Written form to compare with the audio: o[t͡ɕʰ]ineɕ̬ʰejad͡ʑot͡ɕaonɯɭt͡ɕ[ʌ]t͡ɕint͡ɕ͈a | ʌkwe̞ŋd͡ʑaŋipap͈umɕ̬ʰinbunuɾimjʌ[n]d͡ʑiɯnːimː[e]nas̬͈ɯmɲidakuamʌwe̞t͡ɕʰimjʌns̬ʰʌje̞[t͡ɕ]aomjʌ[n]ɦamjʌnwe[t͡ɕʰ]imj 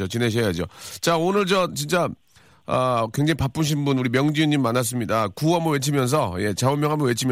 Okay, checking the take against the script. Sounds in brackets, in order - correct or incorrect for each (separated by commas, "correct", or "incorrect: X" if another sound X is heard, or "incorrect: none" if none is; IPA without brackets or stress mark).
incorrect: t͡ɕ, correct, incorrect: ŋ, incorrect: a, correct, incorrect: ŋ, correct